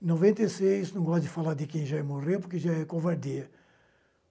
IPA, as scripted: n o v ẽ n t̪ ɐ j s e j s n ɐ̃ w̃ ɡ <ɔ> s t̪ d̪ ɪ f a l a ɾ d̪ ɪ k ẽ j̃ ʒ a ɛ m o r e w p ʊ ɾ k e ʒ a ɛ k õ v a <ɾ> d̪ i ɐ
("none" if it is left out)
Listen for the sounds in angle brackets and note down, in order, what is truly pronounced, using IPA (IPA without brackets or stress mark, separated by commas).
ɔ, ɾ